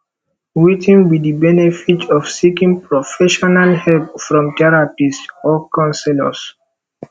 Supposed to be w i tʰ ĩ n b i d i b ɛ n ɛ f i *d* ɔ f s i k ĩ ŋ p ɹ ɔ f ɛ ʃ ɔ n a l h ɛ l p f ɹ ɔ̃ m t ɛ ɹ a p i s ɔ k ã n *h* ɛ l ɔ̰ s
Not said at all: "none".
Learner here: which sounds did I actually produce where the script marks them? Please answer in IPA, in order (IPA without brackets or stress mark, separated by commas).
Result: t, s